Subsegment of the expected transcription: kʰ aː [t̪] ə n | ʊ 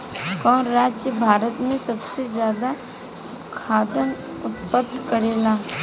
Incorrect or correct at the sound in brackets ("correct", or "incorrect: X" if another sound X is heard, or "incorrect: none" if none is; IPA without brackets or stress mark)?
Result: incorrect: d̪